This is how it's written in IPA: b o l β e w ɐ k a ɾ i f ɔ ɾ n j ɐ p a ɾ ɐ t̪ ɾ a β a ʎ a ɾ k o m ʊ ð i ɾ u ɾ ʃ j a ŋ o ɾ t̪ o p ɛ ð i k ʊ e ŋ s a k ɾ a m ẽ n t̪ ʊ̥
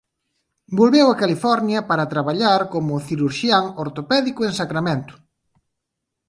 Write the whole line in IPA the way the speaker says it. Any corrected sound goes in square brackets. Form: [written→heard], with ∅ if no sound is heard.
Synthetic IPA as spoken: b o l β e w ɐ k a [ɾ→l] i f ɔ ɾ n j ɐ p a ɾ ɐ t̪ ɾ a β a ʎ a ɾ k o m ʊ [ð→θ] i ɾ u ɾ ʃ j a ŋ o ɾ t̪ o p ɛ ð i k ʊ e ŋ s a k ɾ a m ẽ n t̪ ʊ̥